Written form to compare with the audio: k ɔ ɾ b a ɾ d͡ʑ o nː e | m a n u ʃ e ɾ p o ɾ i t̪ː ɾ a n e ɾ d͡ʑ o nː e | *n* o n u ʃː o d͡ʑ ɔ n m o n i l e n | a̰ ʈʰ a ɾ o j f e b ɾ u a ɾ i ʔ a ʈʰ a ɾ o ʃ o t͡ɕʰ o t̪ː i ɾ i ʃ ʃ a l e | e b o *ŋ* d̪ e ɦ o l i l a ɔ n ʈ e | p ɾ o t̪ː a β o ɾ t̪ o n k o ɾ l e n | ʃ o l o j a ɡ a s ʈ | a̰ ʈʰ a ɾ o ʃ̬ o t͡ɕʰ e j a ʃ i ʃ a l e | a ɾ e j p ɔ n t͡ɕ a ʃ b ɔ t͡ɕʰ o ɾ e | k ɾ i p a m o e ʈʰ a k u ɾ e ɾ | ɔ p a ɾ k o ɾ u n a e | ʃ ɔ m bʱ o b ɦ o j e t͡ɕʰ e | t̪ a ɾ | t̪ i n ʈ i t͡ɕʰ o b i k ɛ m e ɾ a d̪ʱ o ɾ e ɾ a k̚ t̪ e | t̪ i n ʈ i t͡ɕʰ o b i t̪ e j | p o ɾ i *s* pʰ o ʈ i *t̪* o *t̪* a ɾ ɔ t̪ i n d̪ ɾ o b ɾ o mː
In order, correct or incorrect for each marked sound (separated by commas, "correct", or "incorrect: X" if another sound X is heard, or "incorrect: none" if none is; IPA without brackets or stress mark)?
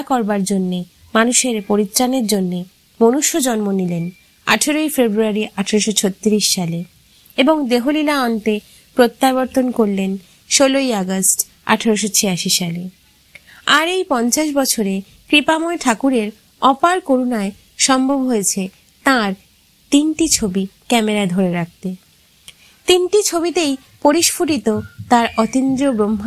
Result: incorrect: m, correct, incorrect: ʃ, correct, correct